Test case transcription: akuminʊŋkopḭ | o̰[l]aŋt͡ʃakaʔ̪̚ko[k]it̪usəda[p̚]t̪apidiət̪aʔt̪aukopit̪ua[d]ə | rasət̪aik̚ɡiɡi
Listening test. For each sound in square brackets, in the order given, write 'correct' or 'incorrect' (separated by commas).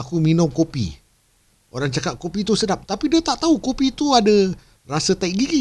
incorrect, incorrect, correct, correct